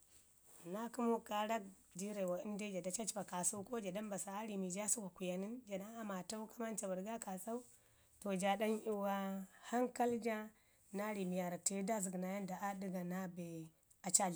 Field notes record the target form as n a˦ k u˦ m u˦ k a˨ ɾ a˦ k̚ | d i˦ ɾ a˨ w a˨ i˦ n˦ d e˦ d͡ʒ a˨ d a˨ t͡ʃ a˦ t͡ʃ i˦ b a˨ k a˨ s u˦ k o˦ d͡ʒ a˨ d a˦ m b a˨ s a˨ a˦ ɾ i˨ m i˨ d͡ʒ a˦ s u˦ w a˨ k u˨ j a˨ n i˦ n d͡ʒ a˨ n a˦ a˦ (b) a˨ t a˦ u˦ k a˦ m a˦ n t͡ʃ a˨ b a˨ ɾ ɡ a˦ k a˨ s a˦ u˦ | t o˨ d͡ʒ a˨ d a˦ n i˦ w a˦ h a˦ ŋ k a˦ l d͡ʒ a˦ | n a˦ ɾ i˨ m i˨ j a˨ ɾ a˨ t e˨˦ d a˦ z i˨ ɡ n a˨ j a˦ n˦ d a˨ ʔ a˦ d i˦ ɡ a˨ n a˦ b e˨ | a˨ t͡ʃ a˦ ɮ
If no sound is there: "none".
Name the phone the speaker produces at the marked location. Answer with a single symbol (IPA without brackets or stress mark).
m